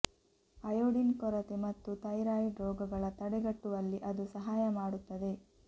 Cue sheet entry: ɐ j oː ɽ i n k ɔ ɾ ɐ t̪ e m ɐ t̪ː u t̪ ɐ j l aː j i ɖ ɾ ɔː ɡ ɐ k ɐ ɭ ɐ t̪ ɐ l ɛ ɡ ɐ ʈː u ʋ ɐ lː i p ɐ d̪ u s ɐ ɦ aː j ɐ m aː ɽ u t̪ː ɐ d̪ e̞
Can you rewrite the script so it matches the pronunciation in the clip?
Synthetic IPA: ɐ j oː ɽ i n k ɔ ɾ ɐ t̪ e m ɐ t̪ː u t̪ ɐ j ɾ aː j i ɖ ɾ ɔː ɡ ɐ ɡ ɐ ɭ ɐ t̪ ɐ ɽ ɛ ɡ ɐ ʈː u ʋ ɐ lː i ʔ ɐ d̪ u s ɐ ɦ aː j ɐ m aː ɽ u t̪ː ɐ d̪ e̞